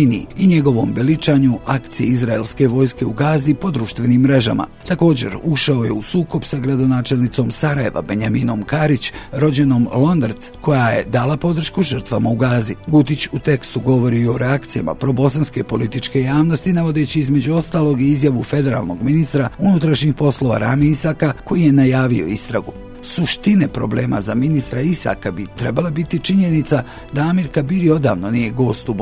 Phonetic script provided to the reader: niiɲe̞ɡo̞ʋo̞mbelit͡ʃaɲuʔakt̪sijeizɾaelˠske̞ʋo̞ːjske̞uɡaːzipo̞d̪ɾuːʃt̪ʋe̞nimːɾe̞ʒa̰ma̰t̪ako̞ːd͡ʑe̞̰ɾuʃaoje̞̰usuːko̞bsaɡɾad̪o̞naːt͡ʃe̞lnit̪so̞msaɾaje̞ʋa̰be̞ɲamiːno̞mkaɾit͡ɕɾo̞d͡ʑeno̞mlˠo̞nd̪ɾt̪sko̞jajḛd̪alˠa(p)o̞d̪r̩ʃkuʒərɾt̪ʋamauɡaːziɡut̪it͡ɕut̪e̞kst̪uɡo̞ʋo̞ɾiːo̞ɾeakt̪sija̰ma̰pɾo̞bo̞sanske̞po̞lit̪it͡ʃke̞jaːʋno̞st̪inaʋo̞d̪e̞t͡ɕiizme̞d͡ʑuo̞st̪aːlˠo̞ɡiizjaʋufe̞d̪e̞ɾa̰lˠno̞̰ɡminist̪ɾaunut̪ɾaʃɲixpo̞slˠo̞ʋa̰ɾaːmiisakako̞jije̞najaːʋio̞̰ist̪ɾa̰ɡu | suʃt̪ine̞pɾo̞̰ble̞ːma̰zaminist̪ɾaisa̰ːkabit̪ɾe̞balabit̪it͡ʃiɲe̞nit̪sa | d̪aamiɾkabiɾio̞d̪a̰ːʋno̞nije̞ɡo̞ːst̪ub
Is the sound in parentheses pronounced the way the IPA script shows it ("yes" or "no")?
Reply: yes